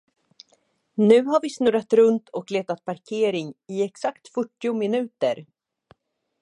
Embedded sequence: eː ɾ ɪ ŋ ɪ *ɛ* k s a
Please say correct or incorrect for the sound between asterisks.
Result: correct